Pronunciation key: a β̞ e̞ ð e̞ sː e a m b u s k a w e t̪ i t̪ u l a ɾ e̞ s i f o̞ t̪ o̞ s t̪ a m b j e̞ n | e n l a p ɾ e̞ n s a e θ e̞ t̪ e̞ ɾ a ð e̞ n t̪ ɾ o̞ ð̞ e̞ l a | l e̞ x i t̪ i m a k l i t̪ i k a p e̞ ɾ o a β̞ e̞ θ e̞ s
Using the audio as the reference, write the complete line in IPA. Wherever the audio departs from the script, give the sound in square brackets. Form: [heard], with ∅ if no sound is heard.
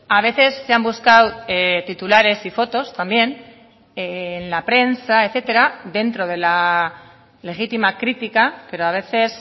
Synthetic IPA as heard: a β̞ e̞ [θ] e̞ sː e a m b u s k a w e t̪ i t̪ u l a ɾ e̞ s i f o̞ t̪ o̞ s t̪ a m b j e̞ n | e n l a p ɾ e̞ n s a e θ e̞ t̪ e̞ ɾ a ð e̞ n t̪ ɾ o̞ ð̞ e̞ l a | l e̞ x i t̪ i m a k [ɾ] i t̪ i k a p e̞ ɾ o a β̞ e̞ θ e̞ s